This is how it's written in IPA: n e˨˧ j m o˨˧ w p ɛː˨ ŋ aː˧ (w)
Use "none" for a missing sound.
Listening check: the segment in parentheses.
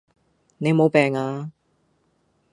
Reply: none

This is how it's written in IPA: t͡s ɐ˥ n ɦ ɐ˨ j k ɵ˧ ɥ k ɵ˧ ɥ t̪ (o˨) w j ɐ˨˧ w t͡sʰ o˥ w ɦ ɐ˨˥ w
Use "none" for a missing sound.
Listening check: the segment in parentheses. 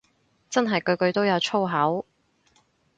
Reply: o˥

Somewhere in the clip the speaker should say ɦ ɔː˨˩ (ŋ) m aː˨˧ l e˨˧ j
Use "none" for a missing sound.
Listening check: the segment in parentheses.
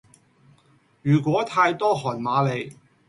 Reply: n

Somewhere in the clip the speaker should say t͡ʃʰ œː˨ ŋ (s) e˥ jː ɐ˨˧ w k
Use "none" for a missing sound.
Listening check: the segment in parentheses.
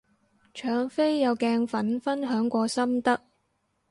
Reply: f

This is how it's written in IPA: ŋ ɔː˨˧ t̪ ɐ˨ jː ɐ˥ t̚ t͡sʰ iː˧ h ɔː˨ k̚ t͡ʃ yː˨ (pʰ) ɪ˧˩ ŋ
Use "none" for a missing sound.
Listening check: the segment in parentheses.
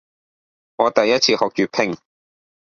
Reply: pʰ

